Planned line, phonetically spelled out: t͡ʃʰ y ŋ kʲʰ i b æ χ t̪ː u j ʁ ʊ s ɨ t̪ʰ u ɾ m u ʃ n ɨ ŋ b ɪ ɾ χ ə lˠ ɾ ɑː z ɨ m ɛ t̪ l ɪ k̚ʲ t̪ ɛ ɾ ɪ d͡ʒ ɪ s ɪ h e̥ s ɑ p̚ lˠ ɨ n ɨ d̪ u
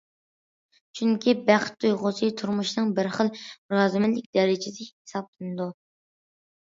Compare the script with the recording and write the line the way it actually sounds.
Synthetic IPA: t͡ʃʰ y ŋ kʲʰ i b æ χ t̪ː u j ʁ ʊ s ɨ t̪ʰ u ɾ m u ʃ n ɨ ŋ b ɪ ɾ χ ə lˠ ɾ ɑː z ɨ m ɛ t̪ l ɪ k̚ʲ d̪ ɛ ɾ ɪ d͡ʒ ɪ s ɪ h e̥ s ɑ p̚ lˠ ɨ n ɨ d̪ u